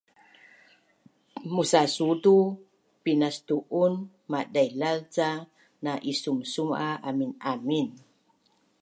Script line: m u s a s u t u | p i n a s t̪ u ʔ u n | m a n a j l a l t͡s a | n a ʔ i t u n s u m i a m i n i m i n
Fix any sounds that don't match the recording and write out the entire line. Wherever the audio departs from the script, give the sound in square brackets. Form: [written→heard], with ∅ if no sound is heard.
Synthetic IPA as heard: m u s a s u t u | p i n a s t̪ u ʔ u n | m a [n→d] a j l a l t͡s a | n a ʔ i [t→s] u [n→m] s u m [i→a] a m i n [i→a] m i n